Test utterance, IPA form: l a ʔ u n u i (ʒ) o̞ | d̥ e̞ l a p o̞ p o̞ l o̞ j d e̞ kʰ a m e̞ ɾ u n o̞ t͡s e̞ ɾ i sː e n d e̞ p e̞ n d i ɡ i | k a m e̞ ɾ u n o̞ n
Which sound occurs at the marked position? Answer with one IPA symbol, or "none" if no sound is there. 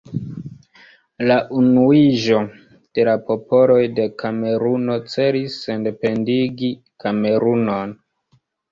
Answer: ʒ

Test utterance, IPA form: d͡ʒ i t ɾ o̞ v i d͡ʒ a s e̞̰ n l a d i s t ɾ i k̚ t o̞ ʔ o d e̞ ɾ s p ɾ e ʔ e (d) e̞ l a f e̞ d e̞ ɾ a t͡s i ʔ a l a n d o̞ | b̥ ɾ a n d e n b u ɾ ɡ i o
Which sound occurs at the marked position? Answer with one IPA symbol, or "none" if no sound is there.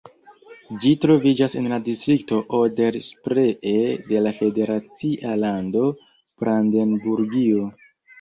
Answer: d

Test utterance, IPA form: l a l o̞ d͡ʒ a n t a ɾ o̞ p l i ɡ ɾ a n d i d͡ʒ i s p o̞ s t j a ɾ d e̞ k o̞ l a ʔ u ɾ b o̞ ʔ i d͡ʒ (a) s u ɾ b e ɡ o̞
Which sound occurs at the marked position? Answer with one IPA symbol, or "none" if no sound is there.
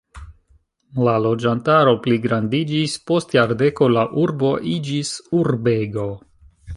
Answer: i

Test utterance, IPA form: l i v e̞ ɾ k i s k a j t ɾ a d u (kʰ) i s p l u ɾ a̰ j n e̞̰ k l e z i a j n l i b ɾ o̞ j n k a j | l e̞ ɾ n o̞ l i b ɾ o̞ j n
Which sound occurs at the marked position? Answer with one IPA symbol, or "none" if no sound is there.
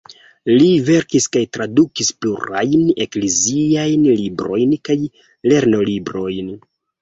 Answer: k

